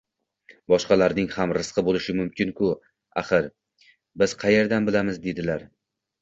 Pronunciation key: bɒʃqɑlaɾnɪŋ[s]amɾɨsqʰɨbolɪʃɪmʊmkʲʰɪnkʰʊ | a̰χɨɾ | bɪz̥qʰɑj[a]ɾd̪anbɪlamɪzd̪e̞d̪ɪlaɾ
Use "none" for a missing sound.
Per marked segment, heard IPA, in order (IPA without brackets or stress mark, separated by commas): h, e